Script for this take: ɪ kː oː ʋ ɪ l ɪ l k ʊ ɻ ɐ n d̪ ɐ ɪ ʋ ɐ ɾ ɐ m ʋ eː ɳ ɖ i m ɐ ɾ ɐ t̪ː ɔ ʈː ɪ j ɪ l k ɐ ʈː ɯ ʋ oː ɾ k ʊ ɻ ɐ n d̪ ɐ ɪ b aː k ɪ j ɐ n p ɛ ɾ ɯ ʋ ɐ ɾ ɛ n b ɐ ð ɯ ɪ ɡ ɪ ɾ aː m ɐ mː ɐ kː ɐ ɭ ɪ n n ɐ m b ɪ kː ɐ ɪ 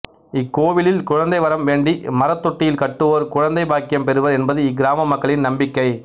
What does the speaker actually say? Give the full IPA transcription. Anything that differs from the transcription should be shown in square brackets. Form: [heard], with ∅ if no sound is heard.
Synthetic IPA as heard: ɪ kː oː ʋ ɪ l ɪ l k ʊ ɻ ɐ n d̪ ɐ ɪ ʋ ɐ ɾ ɐ m ʋ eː ɳ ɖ i m ɐ ɾ ɐ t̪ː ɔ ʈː ɪ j ɪ l k ɐ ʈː ɯ ʋ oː ɾ k ʊ ɻ ɐ n d̪ ɐ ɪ b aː k ɪ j ɐ [m] p ɛ ɾ ɯ ʋ ɐ ɾ ɛ n b ɐ ð ɯ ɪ ɡ ɪ ɾ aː m ɐ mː ɐ kː ɐ ɭ ɪ n n ɐ m b ɪ kː ɐ ɪ